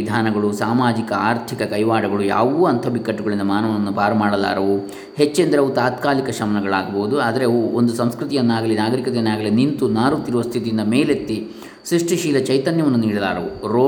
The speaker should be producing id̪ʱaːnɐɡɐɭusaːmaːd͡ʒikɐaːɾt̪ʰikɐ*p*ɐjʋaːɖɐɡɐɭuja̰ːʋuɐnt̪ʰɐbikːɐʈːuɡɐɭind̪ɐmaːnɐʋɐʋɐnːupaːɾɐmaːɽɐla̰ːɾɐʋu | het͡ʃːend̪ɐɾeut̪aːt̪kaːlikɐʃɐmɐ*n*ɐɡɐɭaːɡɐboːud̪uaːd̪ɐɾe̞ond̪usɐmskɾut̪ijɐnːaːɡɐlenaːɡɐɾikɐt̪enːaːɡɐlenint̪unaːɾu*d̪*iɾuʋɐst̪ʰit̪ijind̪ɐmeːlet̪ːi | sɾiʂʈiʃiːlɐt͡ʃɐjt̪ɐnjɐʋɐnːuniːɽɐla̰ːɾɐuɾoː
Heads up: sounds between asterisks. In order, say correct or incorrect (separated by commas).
incorrect, correct, incorrect